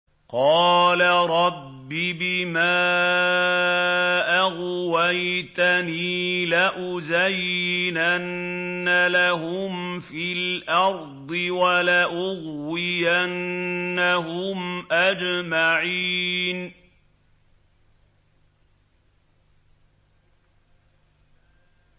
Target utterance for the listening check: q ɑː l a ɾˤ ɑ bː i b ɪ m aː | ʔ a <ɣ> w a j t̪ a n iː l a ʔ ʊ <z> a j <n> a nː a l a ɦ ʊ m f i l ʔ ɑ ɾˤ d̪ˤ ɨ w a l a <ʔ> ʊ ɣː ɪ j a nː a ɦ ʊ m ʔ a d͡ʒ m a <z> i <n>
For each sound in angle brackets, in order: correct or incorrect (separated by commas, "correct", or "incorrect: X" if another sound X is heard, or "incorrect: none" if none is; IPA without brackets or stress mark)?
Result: correct, correct, correct, correct, incorrect: ʕ, correct